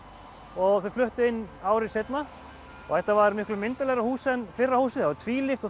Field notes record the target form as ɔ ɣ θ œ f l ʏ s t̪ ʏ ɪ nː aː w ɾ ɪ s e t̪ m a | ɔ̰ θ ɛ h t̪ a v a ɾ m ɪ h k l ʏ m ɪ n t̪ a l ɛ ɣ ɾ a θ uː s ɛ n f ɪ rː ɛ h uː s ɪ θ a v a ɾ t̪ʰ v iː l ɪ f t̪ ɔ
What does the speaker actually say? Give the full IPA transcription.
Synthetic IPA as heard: ɔ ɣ θ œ f l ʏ h t̪ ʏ ɪ nː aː w ɾ ɪ s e t̪ n a | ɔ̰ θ ɛ h t̪ a v a ɾ m ɪ h k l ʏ m ɪ n t̪ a l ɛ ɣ ɾ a h uː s ɛ n f ɪ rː a h uː s ɪ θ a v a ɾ t̪ʰ v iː l ɪ f t̪ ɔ